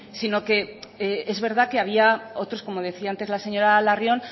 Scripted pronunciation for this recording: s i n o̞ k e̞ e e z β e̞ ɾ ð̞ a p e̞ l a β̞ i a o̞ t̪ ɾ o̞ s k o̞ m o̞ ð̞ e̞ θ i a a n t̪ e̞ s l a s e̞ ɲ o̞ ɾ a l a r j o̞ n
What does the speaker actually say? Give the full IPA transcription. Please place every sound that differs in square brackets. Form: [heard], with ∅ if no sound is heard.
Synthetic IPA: s i n o̞ k e̞ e e z β e̞ ɾ ð̞ a [k] e̞ [∅] a β̞ i a o̞ t̪ ɾ o̞ s k o̞ m o̞ ð̞ e̞ θ i a a n t̪ e̞ [z] l a s e̞ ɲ o̞ ɾ a l a r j o̞ n

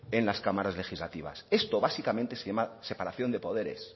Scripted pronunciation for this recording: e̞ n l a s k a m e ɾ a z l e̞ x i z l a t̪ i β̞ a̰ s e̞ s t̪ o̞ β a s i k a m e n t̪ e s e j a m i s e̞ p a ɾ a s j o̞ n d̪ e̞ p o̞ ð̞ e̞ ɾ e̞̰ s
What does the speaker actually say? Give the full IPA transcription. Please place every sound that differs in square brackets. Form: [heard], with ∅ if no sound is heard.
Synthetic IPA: e̞ n l a s k a m [a] ɾ a z l e̞ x i z l a t̪ i β̞ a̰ s e̞ s t̪ o̞ β a s i k a m e n t̪ e s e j a m [a] s e̞ p a ɾ a [θ] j o̞ n d̪ e̞ p o̞ ð̞ e̞ ɾ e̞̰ s

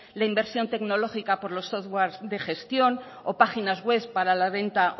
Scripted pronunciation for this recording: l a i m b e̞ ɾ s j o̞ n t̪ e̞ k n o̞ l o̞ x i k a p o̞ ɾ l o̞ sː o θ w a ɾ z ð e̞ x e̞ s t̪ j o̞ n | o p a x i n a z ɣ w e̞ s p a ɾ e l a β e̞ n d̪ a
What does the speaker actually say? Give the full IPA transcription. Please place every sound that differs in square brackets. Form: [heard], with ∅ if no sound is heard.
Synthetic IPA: l a i m b e̞ ɾ s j o̞ n t̪ e̞ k n o̞ l o̞ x i k a p o̞ ɾ l o̞ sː o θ w a ɾ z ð e̞ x e̞ s t̪ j o̞ n | o p a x i n a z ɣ w e̞ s p a ɾ [a] l a β e̞ n [t̪] a

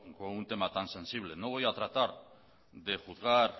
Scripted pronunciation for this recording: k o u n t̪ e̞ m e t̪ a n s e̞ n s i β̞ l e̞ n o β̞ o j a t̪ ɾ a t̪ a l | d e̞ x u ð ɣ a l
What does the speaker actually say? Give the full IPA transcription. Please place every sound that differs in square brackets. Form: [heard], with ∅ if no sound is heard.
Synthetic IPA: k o u n t̪ e̞ m [a] t̪ a n s e̞ n s i β̞ l e̞ n o β̞ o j a t̪ ɾ a t̪ a [ɾ] | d e̞ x u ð ɣ a [ɾ]

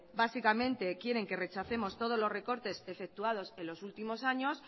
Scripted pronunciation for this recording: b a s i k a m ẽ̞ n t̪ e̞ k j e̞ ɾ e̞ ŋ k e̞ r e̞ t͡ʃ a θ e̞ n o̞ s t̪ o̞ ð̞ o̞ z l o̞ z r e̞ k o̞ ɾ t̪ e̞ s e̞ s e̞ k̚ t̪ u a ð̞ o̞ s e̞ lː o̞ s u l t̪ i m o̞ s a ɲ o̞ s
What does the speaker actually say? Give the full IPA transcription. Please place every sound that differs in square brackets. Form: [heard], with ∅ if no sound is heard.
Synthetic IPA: b a s i k a m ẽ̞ n t̪ e̞ k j e̞ ɾ e̞ ŋ k e̞ r e̞ t͡ʃ a θ e̞ [m] o̞ s t̪ o̞ ð̞ o̞ z l o̞ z r e̞ k o̞ ɾ t̪ e̞ s e̞ [f] e̞ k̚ t̪ u a ð̞ o̞ s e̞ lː o̞ s u l t̪ i m o̞ s a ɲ o̞ s

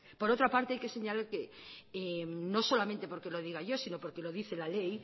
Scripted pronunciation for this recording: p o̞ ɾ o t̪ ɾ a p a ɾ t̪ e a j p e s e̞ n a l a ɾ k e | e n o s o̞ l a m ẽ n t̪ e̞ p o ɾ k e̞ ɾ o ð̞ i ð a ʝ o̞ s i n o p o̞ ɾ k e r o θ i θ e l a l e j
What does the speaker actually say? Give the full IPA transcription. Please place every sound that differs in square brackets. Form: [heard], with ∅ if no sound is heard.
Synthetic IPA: p o̞ ɾ o t̪ ɾ a p a ɾ t̪ e a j [k] e s e̞ [ɲ] a l a ɾ k e | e n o s o̞ l a m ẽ n t̪ e̞ p o ɾ k e̞ [l] o ð̞ i [ɣ] a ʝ o̞ s i n o p o̞ ɾ k e [l] o [ð] i θ e l a l e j

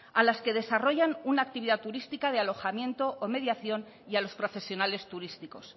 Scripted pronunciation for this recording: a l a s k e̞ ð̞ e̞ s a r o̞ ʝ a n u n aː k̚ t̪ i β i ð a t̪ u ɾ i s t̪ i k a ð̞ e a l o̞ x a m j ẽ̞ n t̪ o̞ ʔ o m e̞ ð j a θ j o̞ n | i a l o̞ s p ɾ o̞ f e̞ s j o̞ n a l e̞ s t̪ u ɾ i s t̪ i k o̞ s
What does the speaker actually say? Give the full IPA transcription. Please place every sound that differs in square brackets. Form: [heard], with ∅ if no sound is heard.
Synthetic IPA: a l a s k e̞ ð̞ e̞ s a r o̞ ʝ a n u n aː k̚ t̪ i β i ð a t̪ u ɾ i s t̪ i k a ð̞ e a l o̞ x a m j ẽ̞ n t̪ o̞ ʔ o m e̞ ð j a θ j o̞ n | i a l o̞ s p ɾ o̞ f e̞ s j o̞ n a l e̞ s t̪ u ɾ i s t̪ i k o̞ s

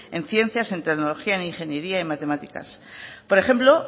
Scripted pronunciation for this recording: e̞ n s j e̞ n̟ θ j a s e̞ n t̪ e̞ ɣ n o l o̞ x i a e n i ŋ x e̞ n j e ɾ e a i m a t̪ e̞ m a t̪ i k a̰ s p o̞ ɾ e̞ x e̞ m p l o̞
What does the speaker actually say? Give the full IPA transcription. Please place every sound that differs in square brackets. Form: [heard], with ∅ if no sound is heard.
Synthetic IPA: e̞ n [θ] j e̞ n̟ θ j a s e̞ n t̪ e̞ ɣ n o l o̞ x i a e n i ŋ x e̞ n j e ɾ [i] a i m a t̪ e̞ m a t̪ i k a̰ s p o̞ ɾ e̞ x e̞ m p l o̞

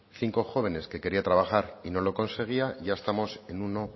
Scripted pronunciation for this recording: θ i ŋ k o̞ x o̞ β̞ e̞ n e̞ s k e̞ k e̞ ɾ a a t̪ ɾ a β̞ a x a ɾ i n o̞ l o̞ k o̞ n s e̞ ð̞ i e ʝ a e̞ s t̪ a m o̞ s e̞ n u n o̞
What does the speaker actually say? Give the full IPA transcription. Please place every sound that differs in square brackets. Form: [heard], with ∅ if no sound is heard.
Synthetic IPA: θ i ŋ k o̞ x o̞ β̞ e̞ n e̞ s k e̞ k e̞ ɾ [i] a t̪ ɾ a β̞ a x a ɾ i n o̞ l o̞ k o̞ n s e̞ [ɣ̞] i [a] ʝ a e̞ s t̪ a m o̞ s e̞ n u n o̞

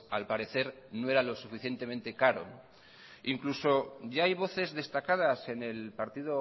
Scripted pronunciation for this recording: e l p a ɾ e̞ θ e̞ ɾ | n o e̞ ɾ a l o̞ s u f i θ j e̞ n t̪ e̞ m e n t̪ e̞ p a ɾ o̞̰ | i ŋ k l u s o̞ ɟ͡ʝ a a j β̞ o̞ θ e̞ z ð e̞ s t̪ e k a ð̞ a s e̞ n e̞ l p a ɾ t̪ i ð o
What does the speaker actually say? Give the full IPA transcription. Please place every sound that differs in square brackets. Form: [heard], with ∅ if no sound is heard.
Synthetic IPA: [a] l p a ɾ e̞ θ e̞ ɾ | n o e̞ ɾ a l o̞ s u f i θ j e̞ n t̪ e̞ m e n t̪ e̞ [k] a ɾ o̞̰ | i ŋ k l u s o̞ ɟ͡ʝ a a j β̞ o̞ θ e̞ z ð e̞ s t̪ [a] k a ð̞ a s e̞ n e̞ l p a ɾ t̪ i ð o

